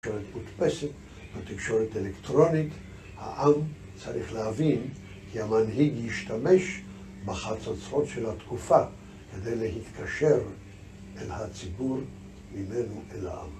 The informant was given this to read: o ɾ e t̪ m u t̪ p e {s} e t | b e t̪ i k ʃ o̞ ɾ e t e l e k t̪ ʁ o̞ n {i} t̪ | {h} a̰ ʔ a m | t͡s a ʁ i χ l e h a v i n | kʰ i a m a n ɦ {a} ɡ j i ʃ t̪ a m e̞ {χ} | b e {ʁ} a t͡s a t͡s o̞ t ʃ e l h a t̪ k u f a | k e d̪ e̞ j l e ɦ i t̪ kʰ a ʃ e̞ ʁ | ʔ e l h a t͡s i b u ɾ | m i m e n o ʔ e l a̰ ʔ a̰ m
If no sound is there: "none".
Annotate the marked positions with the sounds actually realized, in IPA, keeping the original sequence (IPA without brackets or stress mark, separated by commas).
s, i, h, i, ʃ, χ